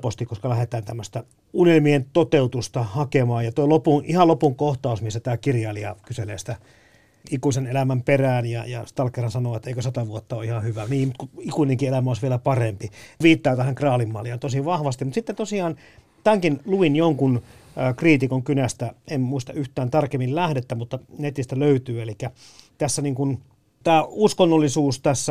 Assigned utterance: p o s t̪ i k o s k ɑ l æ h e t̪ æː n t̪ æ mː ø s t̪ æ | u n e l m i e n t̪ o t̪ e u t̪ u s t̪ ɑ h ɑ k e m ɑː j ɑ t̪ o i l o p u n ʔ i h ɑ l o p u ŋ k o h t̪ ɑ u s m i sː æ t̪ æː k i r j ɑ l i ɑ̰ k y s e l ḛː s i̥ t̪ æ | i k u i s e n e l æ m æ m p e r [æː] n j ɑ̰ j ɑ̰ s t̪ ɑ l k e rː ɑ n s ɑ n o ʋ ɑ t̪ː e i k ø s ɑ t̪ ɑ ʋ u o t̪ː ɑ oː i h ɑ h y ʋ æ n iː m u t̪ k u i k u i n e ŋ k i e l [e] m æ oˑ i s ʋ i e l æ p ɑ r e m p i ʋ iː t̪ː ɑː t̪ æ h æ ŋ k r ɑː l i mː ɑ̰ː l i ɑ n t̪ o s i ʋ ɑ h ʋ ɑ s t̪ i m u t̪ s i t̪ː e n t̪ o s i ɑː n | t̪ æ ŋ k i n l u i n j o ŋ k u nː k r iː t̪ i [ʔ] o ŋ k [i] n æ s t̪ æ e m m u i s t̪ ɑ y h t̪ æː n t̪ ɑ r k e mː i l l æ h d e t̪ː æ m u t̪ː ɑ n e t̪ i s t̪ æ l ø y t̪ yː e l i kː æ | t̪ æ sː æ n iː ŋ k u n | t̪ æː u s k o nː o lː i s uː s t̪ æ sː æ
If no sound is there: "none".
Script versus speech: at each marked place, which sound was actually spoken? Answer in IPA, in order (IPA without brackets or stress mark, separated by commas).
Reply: æː, æ, k, y